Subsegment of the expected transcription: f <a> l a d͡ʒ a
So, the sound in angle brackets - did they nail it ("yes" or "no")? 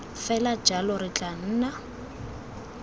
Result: no